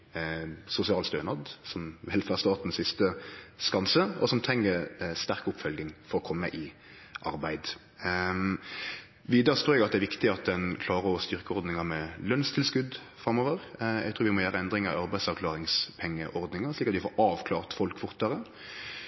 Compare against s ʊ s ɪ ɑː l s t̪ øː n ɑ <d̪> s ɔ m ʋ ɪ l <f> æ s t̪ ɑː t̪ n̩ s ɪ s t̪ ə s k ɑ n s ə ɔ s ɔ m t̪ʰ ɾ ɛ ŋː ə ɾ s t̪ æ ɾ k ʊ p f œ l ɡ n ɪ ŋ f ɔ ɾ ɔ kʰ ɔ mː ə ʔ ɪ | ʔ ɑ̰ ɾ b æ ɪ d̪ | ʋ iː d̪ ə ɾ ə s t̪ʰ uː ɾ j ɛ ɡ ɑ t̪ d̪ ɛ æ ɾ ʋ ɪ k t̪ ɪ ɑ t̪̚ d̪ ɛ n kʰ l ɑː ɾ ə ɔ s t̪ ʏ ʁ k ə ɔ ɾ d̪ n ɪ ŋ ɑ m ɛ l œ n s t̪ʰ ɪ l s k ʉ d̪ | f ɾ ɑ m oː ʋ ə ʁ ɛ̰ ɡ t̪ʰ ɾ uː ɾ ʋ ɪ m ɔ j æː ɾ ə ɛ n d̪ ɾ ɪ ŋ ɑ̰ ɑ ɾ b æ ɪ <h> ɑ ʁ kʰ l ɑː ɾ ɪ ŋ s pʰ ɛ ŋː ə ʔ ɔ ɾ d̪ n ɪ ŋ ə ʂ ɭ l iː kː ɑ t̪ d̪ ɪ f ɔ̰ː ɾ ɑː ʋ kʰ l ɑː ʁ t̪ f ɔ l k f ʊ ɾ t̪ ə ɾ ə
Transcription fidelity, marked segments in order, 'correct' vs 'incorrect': correct, correct, incorrect: s

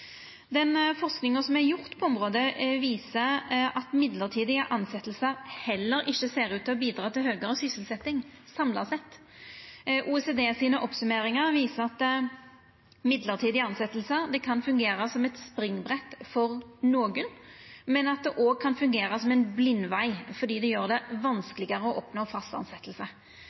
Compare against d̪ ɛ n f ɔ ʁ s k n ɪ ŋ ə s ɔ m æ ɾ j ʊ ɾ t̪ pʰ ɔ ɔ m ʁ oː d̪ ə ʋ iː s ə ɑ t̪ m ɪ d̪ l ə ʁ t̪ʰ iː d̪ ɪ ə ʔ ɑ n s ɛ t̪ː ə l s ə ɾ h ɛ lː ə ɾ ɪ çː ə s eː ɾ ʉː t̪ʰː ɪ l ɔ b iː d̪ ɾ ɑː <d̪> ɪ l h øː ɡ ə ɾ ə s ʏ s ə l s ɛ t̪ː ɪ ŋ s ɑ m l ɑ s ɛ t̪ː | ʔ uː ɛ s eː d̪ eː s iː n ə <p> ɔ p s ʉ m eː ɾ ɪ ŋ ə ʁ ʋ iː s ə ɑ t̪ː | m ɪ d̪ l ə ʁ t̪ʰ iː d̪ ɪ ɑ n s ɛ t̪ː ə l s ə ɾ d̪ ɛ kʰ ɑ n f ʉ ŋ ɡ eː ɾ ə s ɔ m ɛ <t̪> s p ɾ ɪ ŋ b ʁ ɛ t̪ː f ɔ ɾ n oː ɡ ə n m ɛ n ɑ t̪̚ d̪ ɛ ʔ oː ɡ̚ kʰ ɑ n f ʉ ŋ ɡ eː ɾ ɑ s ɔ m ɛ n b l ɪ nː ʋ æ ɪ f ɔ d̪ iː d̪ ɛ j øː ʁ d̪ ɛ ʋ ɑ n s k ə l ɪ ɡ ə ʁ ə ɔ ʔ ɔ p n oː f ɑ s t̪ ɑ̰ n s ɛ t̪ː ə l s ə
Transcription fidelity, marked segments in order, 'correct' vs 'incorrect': incorrect: t̪, incorrect: ʔ, correct

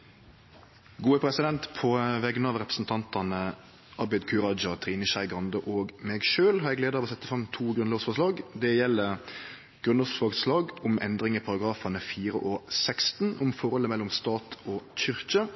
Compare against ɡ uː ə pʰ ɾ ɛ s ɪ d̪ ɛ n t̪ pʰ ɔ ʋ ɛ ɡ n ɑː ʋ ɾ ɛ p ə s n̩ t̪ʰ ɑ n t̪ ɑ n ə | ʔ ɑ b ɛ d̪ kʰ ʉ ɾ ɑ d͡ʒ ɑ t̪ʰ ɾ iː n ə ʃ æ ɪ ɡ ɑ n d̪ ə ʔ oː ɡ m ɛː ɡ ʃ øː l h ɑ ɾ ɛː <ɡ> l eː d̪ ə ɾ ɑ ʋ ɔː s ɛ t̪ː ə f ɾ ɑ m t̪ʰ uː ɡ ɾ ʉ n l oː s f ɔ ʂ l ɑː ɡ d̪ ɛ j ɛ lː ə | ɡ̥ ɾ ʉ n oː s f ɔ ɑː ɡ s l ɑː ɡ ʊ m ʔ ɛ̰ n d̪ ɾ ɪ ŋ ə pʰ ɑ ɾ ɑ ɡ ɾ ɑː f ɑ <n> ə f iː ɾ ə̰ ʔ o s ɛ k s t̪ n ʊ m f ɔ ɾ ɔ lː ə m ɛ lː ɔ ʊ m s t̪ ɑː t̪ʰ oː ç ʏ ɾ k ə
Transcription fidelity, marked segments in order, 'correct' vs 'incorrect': correct, correct

